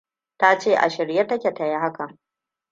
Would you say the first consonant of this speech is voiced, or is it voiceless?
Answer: voiceless